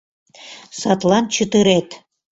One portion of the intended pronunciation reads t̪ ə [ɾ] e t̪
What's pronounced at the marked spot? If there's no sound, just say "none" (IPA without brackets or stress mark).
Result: ɾ